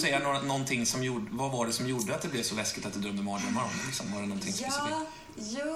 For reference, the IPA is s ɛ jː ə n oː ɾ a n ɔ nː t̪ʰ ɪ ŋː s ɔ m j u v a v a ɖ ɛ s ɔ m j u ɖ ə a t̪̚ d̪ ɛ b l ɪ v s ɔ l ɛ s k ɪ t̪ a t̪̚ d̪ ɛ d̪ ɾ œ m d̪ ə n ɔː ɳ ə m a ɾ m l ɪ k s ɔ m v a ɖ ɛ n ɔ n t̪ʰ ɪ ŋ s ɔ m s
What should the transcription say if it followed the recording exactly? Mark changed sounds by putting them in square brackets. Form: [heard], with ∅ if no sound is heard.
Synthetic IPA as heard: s ɛ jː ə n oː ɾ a n ɔ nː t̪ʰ ɪ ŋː s ɔ m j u v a v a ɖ ɛ s ɔ m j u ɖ ə a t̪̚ d̪ ɛ b l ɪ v s ɔ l ɛ s k ɪ t̪ a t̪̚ d̪ ɛ d̪ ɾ œ m d̪ ə [m] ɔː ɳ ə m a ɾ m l ɪ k s ɔ m v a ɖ ɛ n ɔ n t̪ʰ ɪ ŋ s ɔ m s